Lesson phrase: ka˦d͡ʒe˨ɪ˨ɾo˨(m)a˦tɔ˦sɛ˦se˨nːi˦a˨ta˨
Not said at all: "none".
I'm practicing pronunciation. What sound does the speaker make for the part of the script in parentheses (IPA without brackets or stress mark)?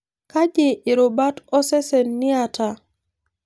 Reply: b